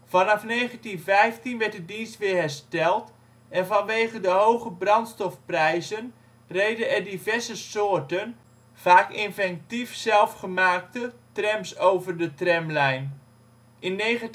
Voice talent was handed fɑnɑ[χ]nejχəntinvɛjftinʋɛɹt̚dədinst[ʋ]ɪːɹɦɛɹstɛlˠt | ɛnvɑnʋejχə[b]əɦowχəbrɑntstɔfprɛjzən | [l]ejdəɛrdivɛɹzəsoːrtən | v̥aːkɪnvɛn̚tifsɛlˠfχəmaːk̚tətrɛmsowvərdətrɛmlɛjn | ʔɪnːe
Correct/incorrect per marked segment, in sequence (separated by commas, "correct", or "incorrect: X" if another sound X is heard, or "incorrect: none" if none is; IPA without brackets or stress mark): incorrect: f, correct, incorrect: d, incorrect: r